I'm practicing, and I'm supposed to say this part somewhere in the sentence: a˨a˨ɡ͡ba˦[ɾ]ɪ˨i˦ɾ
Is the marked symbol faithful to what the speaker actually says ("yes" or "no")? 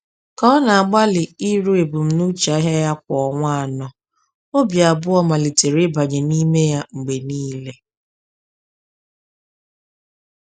no